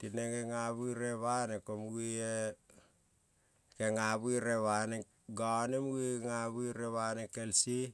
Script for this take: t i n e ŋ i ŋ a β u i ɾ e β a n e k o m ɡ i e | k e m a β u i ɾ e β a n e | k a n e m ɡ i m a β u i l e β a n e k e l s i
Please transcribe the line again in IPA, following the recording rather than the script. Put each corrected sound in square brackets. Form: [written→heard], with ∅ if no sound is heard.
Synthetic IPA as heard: t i n e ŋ [i→e] ŋ a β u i ɾ e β a n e k o m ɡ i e | k e [m→ŋ] a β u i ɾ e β a n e | [k→ɡ] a n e m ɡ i [m→ŋ] a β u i [l→ɾ] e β a n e k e l s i